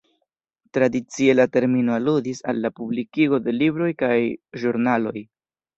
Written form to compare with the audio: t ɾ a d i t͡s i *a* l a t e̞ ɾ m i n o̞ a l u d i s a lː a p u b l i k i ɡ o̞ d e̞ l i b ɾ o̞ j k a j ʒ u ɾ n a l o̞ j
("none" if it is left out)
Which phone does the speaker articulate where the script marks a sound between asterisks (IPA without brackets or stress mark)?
e